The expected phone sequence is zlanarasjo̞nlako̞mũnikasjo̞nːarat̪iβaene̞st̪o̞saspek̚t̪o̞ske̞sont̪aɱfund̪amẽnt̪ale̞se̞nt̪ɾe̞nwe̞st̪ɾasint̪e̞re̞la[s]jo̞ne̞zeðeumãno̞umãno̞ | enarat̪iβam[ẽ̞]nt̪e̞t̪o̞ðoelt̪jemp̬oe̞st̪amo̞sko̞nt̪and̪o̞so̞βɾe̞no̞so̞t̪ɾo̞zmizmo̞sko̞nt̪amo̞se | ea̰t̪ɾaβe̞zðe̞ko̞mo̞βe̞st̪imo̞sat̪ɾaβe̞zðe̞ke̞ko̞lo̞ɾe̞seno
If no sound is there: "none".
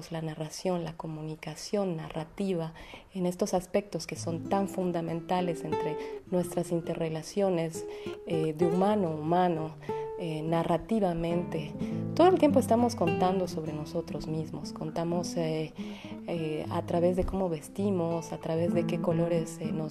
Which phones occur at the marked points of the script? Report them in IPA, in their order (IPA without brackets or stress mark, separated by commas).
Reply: s, ẽ̞